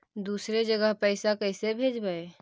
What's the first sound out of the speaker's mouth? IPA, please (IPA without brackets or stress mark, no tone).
d̪